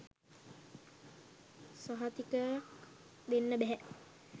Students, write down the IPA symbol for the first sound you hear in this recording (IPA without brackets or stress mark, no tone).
s